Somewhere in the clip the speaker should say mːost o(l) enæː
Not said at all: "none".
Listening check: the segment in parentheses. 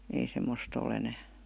l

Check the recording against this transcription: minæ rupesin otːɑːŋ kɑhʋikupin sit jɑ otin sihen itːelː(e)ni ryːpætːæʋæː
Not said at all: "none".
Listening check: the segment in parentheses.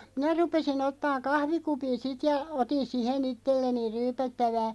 e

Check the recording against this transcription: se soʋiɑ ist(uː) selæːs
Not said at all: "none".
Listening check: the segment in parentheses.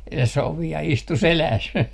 u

